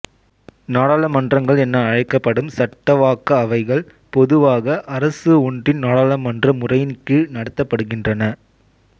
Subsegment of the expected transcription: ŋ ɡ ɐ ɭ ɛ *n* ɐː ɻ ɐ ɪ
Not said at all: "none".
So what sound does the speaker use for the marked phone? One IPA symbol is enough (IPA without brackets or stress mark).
nː